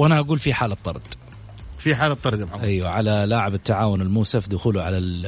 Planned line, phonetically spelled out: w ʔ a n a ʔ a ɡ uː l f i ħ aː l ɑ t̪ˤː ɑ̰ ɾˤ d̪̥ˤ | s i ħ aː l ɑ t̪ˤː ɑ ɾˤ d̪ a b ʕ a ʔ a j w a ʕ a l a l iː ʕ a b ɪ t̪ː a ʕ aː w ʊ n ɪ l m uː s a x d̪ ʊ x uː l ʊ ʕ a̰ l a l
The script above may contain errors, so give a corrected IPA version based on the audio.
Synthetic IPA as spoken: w ʔ a n a ʔ a ɡ uː l f i ħ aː l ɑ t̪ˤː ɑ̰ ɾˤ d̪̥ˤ | f i ħ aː l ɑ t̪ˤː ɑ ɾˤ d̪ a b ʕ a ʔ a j w a ʕ a l a l aː ʕ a b ɪ t̪ː a ʕ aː w ʊ n ɪ l m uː s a f d̪ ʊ x uː l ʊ ʕ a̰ l a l